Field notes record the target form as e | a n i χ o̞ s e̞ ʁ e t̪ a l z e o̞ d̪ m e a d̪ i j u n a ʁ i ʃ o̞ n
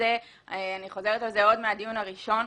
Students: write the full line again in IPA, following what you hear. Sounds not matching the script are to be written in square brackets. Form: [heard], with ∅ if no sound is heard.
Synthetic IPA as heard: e | a n i χ o̞ [z] e̞ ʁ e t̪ a l z e o̞ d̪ m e a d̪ i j u n a ʁ i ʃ o̞ n

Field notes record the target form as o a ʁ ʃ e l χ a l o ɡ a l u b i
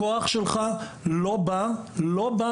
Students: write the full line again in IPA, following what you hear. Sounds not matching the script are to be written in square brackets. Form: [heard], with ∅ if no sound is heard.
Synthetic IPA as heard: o a [χ] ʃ e l χ a l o [b] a l [o] b [a]

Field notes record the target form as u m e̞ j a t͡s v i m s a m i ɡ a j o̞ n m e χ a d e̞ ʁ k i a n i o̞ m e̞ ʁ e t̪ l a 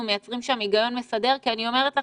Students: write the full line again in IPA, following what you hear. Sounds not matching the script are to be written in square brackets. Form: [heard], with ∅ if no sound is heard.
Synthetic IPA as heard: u m e̞ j a t͡s [ʁ] i m [ʃ] a m i ɡ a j o̞ n m e [s] a d e̞ ʁ k i a n i o̞ m e̞ ʁ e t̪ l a

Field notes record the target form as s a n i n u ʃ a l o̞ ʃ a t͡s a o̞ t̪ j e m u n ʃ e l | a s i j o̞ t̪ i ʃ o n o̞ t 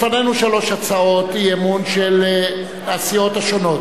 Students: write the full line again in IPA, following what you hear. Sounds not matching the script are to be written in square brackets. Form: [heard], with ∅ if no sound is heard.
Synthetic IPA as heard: [f] a n [e] n u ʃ a l o̞ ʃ a t͡s a o̞ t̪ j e m u n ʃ e l | a s i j o̞ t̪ [a] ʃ o n o̞ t

